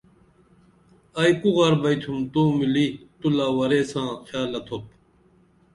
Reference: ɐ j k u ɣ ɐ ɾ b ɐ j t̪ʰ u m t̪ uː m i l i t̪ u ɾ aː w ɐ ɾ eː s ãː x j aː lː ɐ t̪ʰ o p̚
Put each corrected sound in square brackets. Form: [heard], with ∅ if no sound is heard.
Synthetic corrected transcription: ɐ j k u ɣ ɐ ɾ b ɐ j t̪ʰ u m t̪ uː m i l i t̪ u [l] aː w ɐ ɾ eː s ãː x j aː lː ɐ t̪ʰ o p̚